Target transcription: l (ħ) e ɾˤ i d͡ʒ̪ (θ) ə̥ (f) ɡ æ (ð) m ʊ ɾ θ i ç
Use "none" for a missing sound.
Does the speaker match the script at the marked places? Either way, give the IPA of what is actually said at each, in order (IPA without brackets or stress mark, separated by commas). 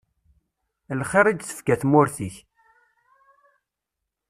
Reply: χ, θ, f, θ